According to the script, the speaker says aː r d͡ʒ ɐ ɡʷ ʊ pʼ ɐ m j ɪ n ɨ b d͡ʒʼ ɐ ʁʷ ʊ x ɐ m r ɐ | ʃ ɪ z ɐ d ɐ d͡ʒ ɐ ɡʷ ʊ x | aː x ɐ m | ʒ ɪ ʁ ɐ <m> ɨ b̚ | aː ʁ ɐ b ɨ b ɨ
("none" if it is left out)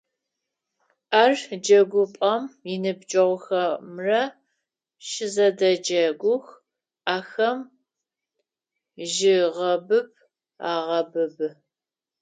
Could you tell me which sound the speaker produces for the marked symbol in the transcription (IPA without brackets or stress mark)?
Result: b